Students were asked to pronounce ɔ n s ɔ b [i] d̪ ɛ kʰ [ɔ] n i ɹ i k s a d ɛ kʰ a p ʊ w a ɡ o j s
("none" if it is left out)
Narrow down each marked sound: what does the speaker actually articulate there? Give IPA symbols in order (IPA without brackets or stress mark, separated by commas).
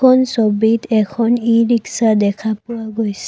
i, ɔ